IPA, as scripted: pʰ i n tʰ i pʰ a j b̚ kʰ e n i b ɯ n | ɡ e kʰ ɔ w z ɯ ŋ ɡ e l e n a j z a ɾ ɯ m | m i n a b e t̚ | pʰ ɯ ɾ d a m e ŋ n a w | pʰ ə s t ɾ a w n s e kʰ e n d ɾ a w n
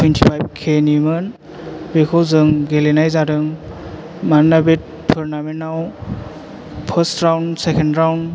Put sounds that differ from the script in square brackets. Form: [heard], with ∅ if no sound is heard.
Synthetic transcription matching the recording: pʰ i n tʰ i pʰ a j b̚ kʰ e n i [m] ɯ n | [b] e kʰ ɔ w z ɯ ŋ ɡ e l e n a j z a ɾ ɯ [ŋ] | m [a] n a b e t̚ | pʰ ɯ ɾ [n] a m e [∅] n a w | pʰ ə s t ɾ a w n s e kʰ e n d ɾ a w n